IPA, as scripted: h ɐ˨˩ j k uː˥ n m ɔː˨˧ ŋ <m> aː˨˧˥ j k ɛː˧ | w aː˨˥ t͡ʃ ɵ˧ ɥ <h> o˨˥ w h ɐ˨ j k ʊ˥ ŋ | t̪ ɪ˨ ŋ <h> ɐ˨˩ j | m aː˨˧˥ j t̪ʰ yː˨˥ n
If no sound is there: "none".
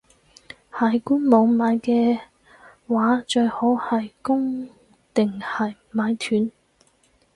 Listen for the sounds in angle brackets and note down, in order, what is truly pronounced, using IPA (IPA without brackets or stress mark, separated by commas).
m, h, h